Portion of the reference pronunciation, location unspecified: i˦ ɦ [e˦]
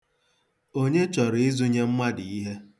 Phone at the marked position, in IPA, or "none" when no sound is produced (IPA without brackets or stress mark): e˦